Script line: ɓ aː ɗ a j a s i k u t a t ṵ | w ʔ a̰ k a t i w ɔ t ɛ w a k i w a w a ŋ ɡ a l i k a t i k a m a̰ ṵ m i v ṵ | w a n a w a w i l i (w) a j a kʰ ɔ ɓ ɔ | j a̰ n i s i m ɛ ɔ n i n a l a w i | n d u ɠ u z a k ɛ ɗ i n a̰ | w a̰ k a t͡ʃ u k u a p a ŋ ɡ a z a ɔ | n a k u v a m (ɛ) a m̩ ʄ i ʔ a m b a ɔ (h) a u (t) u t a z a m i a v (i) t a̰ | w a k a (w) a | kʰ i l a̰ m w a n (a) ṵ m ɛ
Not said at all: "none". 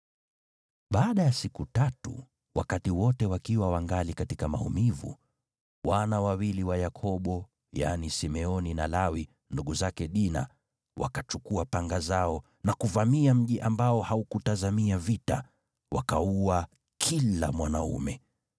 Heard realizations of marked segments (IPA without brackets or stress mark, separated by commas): w, i, h, k, i, u, a